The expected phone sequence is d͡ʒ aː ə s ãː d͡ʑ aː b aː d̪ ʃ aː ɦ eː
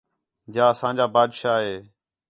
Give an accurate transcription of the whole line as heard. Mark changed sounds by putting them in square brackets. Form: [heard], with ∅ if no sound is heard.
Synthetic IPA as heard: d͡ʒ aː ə s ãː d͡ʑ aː b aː d̪ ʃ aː ɦ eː